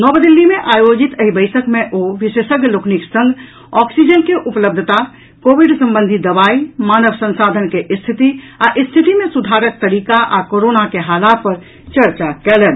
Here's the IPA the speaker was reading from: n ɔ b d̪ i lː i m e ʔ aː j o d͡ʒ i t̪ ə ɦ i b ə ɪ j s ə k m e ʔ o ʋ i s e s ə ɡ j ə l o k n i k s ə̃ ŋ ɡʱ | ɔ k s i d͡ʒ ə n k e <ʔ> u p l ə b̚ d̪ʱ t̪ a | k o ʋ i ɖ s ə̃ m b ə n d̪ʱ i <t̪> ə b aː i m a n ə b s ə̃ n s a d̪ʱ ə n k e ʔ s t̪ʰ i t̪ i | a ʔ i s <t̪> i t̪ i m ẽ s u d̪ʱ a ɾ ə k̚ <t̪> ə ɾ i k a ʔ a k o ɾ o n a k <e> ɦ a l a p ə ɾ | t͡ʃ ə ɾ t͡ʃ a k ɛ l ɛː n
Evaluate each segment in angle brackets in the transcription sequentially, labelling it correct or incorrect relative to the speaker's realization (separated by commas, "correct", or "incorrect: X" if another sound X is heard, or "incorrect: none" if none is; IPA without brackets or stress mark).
correct, incorrect: d̪, incorrect: t̪ʰ, correct, correct